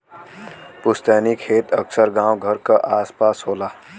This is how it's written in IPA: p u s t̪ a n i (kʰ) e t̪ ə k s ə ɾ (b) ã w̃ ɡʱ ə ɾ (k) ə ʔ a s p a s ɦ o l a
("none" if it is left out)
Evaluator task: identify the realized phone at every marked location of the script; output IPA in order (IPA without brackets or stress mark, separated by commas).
kʰ, ɡ, k